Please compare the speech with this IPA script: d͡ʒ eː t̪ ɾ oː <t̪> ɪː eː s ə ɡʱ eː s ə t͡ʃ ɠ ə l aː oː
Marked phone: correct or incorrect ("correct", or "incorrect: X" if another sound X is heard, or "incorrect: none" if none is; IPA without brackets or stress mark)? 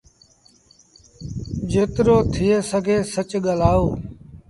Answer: incorrect: t̪ʰ